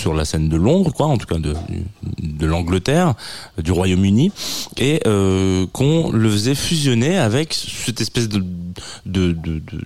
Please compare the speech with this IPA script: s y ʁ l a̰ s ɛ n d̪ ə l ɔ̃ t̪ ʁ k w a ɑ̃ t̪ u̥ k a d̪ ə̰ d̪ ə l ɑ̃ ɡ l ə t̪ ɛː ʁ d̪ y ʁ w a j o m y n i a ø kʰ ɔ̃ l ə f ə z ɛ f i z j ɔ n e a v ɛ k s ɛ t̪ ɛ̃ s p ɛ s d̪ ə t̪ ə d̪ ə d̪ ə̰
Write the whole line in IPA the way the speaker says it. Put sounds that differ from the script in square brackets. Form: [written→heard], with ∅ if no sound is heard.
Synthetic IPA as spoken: s y ʁ l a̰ s ɛ n d̪ ə l ɔ̃ [t̪→d̪] ʁ k w a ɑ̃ t̪ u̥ k a d̪ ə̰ d̪ ə l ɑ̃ ɡ l ə t̪ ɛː ʁ d̪ y ʁ w a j o m y n i [a→e] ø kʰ ɔ̃ l ə f ə z ɛ f [i→y] z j ɔ n e a v ɛ k s ɛ t̪ [ɛ̃→ɛ] s p ɛ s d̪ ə [t̪→d̪] ə d̪ ə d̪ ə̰